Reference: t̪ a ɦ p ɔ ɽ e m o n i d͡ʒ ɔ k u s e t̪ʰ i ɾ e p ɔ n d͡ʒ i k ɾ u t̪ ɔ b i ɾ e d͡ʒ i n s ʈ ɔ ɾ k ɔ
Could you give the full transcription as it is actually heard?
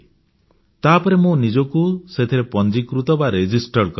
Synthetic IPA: t̪ a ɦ p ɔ ɾ e m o n i d͡ʒ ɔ k u s e t̪ʰ i ɾ e p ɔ n d͡ʒ i k ɾ u t̪ ɔ b a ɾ e d͡ʒ i s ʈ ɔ ɾ k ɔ